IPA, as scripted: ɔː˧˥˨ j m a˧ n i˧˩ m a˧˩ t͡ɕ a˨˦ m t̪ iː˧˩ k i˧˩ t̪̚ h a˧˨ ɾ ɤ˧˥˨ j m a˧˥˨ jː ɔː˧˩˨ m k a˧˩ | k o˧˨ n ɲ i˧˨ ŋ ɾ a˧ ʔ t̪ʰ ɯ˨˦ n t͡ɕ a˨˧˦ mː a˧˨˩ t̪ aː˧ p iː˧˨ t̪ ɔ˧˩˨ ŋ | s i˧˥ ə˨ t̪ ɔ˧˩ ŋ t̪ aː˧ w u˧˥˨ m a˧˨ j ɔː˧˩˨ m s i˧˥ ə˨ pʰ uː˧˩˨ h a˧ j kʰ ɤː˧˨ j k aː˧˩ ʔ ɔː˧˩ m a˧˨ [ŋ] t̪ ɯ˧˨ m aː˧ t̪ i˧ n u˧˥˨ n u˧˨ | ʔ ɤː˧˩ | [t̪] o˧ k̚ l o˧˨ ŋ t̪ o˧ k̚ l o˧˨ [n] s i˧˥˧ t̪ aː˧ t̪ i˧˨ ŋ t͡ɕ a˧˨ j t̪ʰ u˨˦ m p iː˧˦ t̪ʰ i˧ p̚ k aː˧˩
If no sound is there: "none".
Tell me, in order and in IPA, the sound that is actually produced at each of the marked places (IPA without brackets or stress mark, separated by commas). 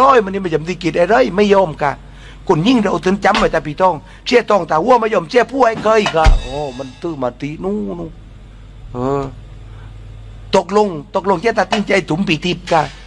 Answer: n, t̪, ŋ